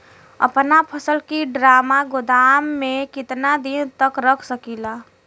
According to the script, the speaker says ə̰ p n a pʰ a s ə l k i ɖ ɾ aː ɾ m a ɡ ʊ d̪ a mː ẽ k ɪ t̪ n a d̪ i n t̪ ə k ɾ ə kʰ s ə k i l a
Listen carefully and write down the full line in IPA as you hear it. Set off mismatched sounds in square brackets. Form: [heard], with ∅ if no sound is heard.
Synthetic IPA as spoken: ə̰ p n a pʰ [ə] s ə l k i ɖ ɾ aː [∅] m a ɡ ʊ d̪ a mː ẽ k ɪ t̪ n a d̪ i n t̪ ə k ɾ ə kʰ s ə k i l a